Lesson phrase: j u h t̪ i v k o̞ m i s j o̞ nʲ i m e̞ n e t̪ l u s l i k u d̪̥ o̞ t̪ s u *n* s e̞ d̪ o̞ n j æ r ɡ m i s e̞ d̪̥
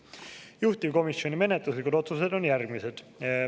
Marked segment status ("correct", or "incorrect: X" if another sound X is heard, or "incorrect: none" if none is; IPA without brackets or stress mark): incorrect: none